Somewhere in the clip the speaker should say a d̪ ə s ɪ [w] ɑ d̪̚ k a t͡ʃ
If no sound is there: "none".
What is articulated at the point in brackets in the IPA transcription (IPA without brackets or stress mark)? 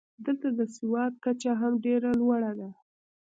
w